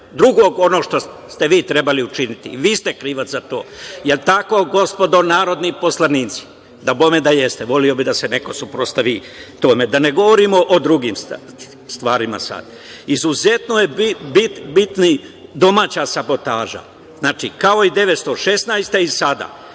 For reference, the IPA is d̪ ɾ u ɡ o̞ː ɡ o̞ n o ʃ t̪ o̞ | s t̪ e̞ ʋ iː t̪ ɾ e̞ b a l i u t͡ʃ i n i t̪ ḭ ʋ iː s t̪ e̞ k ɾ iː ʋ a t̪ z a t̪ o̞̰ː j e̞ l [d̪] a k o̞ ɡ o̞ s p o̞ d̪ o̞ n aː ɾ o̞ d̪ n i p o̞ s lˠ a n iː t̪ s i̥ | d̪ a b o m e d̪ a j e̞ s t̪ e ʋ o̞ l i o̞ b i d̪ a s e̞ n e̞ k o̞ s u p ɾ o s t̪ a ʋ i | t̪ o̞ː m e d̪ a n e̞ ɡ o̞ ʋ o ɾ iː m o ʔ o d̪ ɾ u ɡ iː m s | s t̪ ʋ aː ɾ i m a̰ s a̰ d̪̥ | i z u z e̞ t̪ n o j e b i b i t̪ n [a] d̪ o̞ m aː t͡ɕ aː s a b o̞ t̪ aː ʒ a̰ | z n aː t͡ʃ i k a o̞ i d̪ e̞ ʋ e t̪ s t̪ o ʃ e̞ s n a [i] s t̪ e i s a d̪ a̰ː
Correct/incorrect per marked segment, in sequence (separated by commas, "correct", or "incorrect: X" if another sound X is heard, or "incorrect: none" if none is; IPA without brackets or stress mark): incorrect: t̪, incorrect: i, incorrect: j